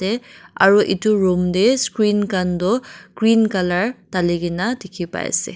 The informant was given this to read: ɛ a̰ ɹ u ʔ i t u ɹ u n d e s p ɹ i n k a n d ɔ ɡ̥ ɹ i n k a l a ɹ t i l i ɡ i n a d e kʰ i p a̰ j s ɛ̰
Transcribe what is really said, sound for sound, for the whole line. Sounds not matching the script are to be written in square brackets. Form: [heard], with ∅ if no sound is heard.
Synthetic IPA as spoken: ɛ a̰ ɹ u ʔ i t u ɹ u [m] d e s [k] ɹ i n k a n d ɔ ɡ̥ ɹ i n k a l a ɹ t [a] l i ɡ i n a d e kʰ i p a̰ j s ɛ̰